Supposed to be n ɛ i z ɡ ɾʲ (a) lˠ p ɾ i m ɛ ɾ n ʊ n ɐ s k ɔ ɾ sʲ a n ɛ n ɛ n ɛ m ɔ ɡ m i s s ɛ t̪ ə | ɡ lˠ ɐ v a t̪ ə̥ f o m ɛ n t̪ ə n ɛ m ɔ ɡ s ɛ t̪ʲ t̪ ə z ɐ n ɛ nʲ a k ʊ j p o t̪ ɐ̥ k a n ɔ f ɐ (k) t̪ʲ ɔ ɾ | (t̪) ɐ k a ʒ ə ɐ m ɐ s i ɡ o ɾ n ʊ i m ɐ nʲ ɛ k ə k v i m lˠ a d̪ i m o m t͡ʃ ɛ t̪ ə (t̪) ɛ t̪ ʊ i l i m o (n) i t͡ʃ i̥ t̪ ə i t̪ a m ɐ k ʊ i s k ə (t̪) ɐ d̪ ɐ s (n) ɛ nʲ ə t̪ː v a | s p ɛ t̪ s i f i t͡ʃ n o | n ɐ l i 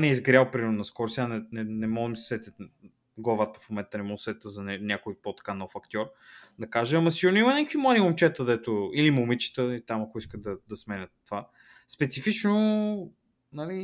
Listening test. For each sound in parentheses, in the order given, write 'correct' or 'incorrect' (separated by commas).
correct, correct, incorrect, incorrect, incorrect, incorrect, incorrect